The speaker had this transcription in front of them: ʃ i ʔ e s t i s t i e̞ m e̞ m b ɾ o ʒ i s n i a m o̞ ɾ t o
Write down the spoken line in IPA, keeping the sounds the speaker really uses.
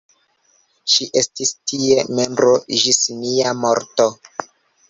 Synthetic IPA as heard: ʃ i ʔ e s t i s t i e̞ m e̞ m b ɾ o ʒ i s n i a m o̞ ɾ t o